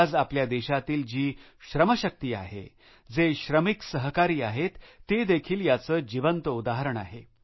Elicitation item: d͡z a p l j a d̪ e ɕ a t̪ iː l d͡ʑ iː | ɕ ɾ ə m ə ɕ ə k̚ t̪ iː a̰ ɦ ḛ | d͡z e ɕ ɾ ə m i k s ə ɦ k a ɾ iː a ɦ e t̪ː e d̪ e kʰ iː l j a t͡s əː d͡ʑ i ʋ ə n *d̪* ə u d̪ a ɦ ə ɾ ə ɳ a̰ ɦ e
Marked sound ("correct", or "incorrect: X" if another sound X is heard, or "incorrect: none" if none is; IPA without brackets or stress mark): incorrect: t̪